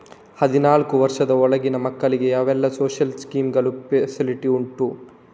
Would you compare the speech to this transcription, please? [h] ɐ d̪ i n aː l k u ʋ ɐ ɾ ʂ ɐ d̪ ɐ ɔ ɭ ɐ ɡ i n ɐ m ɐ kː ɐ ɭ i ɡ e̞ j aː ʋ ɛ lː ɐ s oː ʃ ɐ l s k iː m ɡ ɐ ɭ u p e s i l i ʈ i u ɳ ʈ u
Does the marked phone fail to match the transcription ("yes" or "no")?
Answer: no